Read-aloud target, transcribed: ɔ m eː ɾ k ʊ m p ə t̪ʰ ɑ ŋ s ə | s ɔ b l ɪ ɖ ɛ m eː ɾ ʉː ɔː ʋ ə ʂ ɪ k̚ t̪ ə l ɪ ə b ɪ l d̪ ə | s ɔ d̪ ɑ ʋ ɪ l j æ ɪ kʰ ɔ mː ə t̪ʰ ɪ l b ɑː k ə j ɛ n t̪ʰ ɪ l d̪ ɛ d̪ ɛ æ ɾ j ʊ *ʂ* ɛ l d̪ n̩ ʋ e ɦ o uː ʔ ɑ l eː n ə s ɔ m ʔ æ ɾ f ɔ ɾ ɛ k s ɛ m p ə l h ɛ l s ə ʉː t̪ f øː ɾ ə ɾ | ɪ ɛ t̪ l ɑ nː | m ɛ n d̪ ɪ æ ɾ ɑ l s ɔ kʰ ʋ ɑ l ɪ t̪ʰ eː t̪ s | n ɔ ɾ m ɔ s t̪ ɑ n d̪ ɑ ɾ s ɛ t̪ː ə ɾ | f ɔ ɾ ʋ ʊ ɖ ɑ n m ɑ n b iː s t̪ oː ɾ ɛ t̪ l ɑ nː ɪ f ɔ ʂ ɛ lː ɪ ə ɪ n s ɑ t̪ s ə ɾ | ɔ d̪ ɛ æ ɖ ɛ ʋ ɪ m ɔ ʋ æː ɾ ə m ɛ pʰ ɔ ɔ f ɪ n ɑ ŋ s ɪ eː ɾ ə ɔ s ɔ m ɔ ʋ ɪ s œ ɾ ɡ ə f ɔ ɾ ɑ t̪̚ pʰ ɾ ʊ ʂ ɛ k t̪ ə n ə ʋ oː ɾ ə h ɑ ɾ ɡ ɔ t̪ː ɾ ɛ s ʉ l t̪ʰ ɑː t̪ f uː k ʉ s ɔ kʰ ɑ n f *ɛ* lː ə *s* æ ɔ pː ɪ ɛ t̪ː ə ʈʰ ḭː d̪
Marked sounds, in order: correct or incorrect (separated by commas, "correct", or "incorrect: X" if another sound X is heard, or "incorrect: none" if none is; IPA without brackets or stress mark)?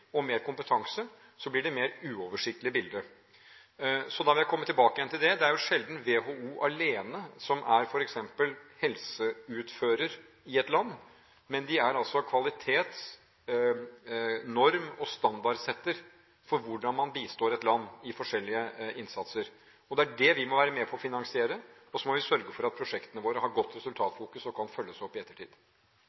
correct, incorrect: œ, correct